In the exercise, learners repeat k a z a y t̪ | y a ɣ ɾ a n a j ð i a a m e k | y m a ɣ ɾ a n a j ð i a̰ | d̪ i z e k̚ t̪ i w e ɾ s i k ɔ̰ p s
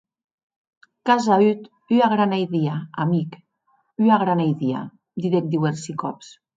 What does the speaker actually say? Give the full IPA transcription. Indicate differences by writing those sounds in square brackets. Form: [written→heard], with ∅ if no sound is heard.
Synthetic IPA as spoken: k a z a y t̪ | y a ɣ ɾ a n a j ð i a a m [e→i] k | y [m→∅] a ɣ ɾ a n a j ð i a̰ | d̪ i [z→ð] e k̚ [t̪→d̪] i w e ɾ s i k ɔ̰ p s